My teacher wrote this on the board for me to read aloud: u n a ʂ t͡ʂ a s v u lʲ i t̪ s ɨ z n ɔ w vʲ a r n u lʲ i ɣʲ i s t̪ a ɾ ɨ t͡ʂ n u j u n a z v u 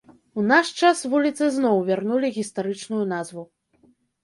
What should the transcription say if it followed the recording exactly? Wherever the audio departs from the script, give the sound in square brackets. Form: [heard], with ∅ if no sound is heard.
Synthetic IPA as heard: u n a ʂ t͡ʂ a s v u lʲ i t̪ s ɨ z n ɔ w vʲ a r n u lʲ i ɣʲ i s t̪ a ɾ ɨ t͡ʂ n u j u n a z v u